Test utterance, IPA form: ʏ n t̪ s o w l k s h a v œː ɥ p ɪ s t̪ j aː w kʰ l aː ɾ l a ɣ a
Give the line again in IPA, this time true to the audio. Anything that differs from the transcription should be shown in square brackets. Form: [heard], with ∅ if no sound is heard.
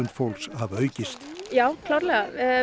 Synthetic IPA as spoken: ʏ n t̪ [f] o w l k s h a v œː ɥ [c] ɪ s t̪ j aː w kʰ l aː ɾ l [ɛ] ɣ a